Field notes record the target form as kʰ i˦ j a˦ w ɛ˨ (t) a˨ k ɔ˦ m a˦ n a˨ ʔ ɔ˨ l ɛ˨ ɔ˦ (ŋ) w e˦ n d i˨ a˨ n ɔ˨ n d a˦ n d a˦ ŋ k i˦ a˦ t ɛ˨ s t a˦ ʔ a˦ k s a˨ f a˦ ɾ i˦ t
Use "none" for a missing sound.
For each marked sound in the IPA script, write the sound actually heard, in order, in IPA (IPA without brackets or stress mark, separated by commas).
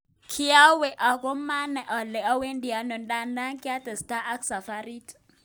ʔ, none